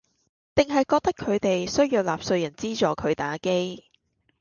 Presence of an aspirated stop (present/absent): present